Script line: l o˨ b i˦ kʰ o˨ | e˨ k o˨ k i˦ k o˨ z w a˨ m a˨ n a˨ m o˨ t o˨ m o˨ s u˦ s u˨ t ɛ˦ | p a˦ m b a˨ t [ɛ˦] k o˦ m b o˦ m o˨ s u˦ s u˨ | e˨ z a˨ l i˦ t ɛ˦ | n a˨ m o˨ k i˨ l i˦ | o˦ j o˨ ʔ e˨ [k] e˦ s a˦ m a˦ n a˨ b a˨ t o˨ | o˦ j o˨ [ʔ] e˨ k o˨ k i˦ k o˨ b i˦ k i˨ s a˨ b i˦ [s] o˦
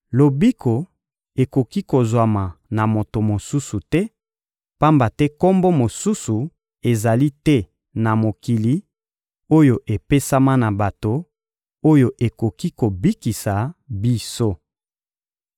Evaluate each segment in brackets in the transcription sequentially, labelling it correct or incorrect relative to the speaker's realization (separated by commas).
correct, incorrect, correct, correct